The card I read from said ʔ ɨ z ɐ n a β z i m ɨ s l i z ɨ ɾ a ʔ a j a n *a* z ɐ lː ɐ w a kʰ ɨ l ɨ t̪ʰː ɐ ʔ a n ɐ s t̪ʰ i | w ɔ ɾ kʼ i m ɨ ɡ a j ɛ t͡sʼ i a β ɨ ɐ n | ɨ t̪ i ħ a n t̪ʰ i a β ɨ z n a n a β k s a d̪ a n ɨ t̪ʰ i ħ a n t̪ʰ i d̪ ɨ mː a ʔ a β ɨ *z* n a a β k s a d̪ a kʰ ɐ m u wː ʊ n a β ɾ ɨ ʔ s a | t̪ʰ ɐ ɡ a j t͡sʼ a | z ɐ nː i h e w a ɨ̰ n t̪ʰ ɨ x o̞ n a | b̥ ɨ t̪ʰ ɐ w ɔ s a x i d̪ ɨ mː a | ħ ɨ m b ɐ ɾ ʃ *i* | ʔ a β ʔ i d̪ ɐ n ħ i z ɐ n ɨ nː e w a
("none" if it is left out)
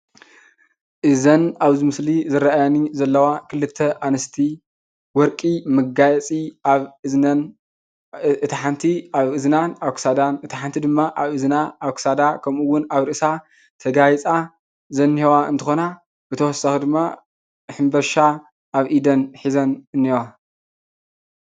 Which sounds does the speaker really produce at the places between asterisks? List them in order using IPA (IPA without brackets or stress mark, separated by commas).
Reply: i, z, a